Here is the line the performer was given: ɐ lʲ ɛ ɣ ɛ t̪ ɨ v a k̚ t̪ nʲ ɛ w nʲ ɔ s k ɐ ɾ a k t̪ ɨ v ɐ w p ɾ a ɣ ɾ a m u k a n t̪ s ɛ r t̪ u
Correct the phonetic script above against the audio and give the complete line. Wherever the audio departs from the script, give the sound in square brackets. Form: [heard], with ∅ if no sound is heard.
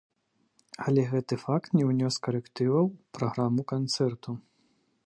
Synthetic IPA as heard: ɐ lʲ ɛ ɣ ɛ t̪ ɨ [f] a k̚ t̪ nʲ ɛ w nʲ ɔ s k ɐ ɾ [ɛ] k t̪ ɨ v ɐ w p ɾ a ɣ ɾ a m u k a n t̪ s ɛ r t̪ u